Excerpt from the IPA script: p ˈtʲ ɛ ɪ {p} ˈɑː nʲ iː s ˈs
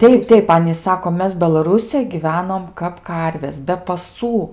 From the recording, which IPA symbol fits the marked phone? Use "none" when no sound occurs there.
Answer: p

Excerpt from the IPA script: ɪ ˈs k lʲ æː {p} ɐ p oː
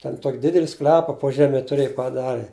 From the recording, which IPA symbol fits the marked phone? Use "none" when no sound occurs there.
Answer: p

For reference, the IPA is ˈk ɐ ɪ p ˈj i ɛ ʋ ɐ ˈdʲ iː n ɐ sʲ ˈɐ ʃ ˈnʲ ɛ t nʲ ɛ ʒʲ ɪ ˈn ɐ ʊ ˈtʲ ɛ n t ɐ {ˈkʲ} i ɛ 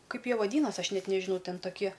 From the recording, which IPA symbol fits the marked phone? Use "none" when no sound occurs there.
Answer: kʲ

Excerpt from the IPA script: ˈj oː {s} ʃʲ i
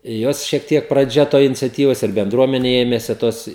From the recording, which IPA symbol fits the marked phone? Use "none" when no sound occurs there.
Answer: s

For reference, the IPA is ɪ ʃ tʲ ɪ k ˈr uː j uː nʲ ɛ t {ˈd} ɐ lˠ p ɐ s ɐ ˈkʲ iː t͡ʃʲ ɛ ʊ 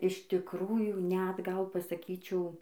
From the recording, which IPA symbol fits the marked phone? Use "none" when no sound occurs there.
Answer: ɡ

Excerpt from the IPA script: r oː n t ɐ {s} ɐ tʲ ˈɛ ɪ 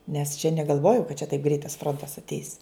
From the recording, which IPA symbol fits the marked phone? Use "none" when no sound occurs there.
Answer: s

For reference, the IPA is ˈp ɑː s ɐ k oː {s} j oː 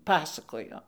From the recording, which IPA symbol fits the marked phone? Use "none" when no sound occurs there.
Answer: none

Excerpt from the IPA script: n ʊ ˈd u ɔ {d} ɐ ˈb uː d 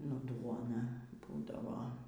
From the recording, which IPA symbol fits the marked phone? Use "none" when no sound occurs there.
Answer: n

